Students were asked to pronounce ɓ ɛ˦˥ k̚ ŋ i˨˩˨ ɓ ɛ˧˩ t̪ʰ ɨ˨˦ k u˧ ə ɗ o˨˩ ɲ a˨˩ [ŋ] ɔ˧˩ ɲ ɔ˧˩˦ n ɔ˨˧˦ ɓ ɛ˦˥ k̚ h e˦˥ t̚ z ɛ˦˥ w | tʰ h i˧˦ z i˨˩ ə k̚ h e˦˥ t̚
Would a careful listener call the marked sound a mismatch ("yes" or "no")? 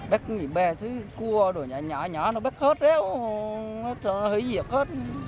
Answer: yes